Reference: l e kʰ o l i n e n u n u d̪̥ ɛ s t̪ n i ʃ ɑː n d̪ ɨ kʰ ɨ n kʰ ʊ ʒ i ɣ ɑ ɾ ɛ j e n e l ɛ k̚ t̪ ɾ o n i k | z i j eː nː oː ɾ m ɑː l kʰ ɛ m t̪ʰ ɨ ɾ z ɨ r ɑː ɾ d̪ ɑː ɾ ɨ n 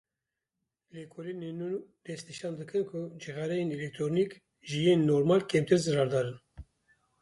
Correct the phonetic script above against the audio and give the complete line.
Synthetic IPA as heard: l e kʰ o l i n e n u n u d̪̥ ɛ s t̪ n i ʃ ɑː n d̪ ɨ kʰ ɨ n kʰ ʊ d͡ʒ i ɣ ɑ ɾ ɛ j e n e l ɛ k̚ t̪ ɾ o n i k | ʒ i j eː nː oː ɾ m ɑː l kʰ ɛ m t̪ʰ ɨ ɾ z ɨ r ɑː ɾ d̪ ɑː ɾ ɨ n